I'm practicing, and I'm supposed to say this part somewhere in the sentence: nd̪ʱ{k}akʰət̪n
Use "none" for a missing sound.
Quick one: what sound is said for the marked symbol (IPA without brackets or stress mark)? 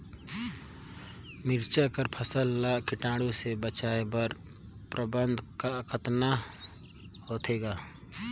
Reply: k